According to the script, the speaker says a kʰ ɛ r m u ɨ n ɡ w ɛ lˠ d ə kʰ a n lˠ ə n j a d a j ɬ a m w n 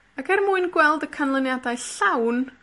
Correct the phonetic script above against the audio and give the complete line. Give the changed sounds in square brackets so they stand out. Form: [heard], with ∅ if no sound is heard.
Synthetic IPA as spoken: a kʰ ɛ r m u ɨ n ɡ w ɛ lˠ d ə kʰ a n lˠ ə n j a d a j ɬ a [∅] w n

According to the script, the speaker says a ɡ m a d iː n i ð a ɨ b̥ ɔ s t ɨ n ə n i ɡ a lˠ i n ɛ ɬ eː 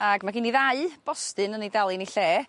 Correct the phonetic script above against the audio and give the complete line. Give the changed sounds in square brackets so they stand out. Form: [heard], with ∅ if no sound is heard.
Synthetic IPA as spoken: a ɡ m a [ɡ] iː n i ð a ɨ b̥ ɔ s t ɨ n ə n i [d] a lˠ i n [i] ɬ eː

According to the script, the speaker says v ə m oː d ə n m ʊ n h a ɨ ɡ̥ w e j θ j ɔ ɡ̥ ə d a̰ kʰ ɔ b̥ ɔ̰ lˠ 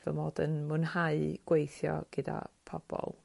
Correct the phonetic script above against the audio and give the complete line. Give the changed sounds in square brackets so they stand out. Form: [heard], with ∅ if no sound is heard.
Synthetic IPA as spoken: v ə m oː d ə n m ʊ n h a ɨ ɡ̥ w e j θ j ɔ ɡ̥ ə d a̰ [pʰ] ɔ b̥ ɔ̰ lˠ

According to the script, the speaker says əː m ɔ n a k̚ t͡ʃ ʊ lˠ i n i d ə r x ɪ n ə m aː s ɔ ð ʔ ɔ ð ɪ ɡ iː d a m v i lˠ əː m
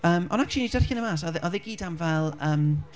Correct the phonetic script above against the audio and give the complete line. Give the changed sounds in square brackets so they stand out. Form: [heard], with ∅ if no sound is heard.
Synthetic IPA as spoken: əː m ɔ n a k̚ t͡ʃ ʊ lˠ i n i d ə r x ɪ n ə m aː s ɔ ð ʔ ɔ ð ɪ ɡ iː d a m v [ɛ] lˠ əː m

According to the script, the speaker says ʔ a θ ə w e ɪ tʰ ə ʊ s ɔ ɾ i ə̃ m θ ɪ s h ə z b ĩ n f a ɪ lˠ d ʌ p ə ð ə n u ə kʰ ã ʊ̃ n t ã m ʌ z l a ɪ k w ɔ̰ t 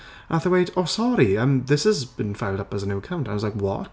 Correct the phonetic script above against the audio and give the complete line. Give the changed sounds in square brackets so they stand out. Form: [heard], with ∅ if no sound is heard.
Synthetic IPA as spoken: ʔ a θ ə w e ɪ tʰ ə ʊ s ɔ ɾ i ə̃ m [ð] ɪ s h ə z b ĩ n f a ɪ lˠ d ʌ p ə [z] ə n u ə kʰ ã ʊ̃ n t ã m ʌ z l a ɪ k w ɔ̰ t

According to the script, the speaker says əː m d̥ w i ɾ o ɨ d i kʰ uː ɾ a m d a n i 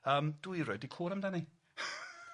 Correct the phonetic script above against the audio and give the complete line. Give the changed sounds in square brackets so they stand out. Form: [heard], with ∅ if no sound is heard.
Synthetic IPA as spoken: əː m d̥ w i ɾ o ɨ d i kʰ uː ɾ a m d a n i

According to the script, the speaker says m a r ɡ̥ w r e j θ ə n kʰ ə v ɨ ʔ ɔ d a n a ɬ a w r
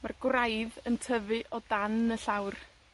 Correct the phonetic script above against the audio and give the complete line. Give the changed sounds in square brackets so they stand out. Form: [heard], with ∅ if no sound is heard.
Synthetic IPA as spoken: m a r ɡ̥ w r [a] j [ð] ə n [tʰ] ə v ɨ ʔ ɔ d a n [ə] ɬ a w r

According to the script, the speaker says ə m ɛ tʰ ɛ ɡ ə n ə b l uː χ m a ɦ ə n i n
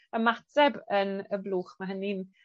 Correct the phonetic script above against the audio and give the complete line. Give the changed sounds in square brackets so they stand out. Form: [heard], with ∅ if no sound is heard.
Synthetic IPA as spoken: ə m [a] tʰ ɛ [b] ə n ə b l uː χ m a ɦ ə n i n

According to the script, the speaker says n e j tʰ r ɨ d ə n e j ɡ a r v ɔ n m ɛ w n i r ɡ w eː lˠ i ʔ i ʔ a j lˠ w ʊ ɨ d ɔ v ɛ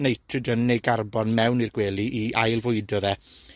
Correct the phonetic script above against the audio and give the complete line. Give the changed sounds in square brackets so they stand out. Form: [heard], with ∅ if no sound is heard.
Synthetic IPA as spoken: n e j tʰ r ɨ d ə n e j ɡ a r [b] ɔ n m ɛ w n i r ɡ w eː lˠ i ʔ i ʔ a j lˠ [v] ʊ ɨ d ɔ [ð] ɛ

